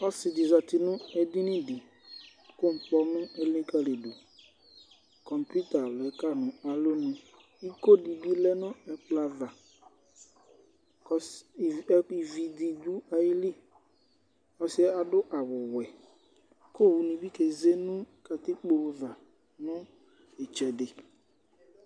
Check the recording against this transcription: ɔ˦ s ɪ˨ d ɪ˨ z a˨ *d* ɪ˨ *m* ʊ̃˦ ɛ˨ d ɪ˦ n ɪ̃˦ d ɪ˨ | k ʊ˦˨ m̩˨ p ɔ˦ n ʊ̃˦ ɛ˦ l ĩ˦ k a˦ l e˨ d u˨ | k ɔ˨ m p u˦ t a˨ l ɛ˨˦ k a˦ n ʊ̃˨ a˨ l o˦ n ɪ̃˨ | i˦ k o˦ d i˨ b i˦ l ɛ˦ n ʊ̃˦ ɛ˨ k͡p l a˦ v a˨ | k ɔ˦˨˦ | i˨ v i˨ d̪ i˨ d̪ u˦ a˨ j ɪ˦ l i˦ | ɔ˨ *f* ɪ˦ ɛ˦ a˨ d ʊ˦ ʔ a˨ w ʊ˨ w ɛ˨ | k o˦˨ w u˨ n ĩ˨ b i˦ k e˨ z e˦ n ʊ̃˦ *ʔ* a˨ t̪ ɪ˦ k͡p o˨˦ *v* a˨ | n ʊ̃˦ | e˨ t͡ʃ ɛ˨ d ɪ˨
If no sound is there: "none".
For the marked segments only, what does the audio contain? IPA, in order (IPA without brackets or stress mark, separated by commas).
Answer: t, n, s, k, v